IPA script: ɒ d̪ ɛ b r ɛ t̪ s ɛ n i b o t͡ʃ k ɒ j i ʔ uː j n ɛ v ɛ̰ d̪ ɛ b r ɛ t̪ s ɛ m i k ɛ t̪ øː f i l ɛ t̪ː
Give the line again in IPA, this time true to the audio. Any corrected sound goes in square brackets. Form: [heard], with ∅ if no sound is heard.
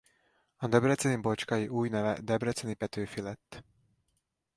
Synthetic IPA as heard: ɒ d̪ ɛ b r ɛ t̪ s ɛ n i b o t͡ʃ k ɒ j i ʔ uː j n ɛ v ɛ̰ d̪ ɛ b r ɛ t̪ s ɛ [n] i [p] ɛ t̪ øː f i l ɛ t̪ː